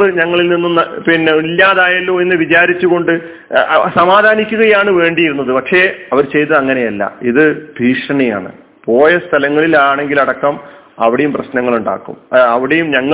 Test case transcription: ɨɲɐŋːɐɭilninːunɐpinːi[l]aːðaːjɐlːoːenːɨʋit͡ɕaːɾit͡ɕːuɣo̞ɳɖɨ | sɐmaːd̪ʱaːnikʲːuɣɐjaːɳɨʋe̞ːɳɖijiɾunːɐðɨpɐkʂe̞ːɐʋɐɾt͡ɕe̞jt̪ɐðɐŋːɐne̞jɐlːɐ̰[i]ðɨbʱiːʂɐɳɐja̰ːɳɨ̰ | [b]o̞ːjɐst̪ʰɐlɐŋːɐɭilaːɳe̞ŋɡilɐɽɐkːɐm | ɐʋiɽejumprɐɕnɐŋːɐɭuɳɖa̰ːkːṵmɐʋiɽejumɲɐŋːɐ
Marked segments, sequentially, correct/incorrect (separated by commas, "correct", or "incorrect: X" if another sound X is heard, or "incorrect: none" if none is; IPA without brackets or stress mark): incorrect: lː, correct, incorrect: p